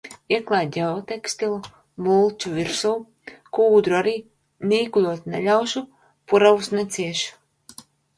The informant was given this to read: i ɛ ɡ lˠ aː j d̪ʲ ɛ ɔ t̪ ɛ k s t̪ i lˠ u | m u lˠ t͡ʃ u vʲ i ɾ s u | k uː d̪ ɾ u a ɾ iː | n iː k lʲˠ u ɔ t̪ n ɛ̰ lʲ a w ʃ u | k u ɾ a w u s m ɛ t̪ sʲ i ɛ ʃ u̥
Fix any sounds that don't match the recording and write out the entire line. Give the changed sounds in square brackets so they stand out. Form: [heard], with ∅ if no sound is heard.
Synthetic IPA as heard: i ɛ [k] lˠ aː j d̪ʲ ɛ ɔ t̪ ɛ k s t̪ i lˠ u | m u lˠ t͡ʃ u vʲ i ɾ s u | k uː d̪ ɾ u a ɾ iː | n iː k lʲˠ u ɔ t̪ n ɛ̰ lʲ a w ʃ u | [p] u ɾ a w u s [n] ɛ t̪ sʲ i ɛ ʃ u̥